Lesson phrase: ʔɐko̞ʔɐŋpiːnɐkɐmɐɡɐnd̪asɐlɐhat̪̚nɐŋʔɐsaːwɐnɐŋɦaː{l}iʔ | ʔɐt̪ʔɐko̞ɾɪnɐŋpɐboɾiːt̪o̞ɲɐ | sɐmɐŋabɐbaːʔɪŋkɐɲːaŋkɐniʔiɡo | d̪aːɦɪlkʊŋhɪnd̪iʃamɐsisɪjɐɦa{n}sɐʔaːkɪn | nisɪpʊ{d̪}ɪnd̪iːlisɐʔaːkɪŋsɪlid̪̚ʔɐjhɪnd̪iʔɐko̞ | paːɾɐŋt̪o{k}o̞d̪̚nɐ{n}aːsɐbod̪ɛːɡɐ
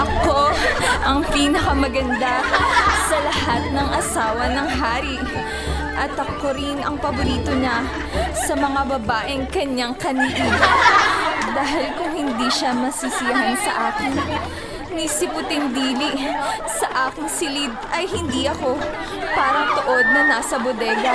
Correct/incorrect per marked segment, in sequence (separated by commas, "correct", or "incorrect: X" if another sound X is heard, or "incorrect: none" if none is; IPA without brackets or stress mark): incorrect: ɾ, correct, incorrect: t̪, incorrect: ʔ, correct